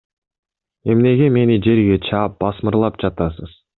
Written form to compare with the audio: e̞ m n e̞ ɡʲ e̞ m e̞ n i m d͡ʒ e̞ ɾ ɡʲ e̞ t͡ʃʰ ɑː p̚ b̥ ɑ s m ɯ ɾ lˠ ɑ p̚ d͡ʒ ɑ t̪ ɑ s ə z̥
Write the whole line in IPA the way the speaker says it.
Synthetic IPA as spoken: e̞ m n e̞ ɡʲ e̞ m e̞ n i d͡ʒ e̞ ɾ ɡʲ e̞ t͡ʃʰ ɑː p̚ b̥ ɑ s m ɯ ɾ lˠ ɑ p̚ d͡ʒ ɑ t̪ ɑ s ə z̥

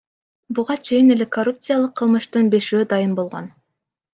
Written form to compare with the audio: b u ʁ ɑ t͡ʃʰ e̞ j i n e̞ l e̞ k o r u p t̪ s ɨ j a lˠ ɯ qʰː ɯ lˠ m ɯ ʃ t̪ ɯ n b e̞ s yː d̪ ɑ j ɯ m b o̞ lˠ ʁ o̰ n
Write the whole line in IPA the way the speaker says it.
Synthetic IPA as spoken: b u ʁ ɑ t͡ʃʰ e̞ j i n e̞ l e̞ k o r u p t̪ s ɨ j a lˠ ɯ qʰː ɯ lˠ m ɯ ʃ t̪ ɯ n b e̞ ʃ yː d̪ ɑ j ɯ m b o̞ lˠ ʁ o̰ n

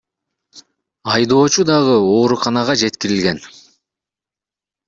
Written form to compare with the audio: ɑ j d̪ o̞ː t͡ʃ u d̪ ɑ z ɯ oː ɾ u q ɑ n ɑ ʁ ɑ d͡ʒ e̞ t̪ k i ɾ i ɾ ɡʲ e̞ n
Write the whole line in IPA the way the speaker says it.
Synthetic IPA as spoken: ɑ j d̪ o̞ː t͡ʃ u d̪ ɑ ʁ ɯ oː ɾ u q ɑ n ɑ ʁ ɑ d͡ʒ e̞ t̪ k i ɾ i l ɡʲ e̞ n

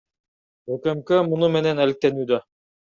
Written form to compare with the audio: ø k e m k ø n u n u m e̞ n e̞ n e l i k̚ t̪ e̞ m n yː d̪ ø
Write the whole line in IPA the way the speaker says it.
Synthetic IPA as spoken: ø k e m k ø m u n u m e̞ n e̞ n æ l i k̚ t̪ e̞ n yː d̪ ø

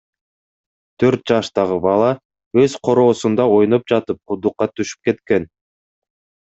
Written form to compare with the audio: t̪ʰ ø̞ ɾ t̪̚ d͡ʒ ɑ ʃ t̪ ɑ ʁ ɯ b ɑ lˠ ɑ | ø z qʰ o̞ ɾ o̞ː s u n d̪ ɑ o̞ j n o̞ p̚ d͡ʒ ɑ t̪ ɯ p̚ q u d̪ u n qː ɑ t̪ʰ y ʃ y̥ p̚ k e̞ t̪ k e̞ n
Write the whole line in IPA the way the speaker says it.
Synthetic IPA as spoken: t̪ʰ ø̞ ɾ t̪̚ d͡ʒ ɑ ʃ t̪ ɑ ʁ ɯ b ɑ lˠ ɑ | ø z qʰ o̞ ɾ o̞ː s u n d̪ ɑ o̞ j n o̞ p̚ d͡ʒ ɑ t̪ ɯ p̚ q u d̪ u qː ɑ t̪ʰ y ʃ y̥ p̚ k e̞ t̪ k e̞ n

